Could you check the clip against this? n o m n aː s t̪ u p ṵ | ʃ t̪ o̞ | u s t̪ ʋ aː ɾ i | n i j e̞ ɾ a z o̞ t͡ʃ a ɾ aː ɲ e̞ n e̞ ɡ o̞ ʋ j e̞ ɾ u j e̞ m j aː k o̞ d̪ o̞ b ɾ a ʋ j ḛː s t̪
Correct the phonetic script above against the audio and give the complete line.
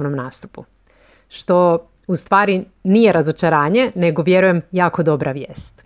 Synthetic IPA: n o m n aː s t̪ u p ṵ | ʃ t̪ o̞ | u s t̪ ʋ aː ɾ i | n i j e̞ ɾ a z o̞ t͡ʃ a ɾ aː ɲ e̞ n e̞ ɡ o̞ ʋ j e̞ ɾ u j e̞ m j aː k o̞ d̪ o̞ b ɾ a ʋ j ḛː s t̪